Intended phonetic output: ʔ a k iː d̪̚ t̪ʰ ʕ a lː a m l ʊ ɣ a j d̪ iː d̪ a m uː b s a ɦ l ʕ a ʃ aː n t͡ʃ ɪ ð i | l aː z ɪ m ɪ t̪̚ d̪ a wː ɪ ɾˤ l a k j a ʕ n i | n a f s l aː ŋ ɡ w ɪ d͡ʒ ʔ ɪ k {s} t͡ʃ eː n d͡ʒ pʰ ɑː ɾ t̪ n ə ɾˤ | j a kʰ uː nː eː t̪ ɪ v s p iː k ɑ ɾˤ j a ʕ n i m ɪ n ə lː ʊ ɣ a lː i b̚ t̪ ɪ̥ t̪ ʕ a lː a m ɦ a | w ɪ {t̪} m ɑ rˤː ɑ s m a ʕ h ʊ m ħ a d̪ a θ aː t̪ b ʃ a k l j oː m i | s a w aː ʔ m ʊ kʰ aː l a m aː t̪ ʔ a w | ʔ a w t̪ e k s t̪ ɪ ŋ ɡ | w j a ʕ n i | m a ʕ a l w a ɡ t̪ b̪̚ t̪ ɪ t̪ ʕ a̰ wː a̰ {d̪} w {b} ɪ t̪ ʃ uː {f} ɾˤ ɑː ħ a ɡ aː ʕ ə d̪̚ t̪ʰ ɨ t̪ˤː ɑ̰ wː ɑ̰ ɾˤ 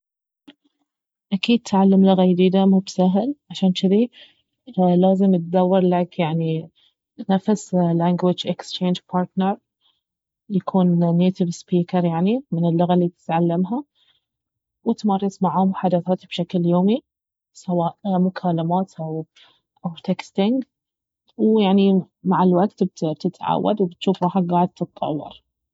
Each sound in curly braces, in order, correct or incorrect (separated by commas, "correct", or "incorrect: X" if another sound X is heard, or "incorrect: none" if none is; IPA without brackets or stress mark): correct, correct, correct, correct, correct